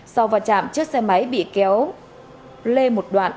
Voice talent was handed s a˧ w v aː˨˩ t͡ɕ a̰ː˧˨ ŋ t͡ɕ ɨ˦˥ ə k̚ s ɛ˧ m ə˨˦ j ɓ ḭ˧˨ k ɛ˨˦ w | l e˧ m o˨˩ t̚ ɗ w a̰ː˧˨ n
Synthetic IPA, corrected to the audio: s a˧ w v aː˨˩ t͡ɕ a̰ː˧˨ m t͡ɕ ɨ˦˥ ə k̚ s ɛ˧ m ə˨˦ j ɓ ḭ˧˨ k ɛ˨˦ w | l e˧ m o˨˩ t̚ ɗ w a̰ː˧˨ n